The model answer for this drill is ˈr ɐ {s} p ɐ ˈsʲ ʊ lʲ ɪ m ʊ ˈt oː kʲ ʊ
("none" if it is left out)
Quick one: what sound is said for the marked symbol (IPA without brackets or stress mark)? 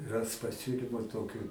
s